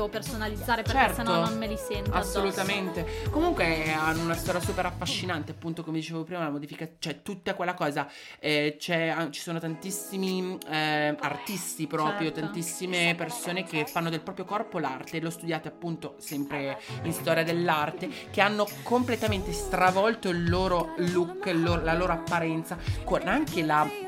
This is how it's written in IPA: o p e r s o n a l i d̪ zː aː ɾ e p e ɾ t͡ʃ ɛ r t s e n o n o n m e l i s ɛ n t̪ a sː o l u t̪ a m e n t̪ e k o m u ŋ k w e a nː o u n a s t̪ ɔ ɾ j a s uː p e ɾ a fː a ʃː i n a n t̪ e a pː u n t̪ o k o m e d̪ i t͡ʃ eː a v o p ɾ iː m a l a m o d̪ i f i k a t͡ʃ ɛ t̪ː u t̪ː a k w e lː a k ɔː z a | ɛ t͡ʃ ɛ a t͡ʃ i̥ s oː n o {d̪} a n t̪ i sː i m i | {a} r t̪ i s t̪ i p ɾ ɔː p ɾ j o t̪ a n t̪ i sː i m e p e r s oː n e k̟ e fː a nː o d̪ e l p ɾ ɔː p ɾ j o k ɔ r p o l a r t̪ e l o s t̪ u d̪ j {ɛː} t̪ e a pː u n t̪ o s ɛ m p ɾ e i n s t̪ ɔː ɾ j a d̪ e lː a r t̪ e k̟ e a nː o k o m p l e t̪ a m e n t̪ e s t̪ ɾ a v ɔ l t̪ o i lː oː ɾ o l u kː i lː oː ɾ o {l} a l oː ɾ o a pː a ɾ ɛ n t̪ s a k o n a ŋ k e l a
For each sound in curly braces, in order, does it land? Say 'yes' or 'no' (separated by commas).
no, yes, no, yes